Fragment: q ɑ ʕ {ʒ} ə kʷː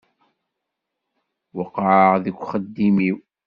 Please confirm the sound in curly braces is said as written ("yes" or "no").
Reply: no